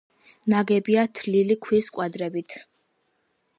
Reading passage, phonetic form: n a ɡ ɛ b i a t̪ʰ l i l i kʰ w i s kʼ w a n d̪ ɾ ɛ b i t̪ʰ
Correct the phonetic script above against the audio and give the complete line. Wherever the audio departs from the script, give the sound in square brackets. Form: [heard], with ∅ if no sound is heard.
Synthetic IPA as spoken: n a ɡ ɛ b i a t̪ʰ l i l i kʰ w i s kʼ w a [∅] d̪ ɾ ɛ b i t̪ʰ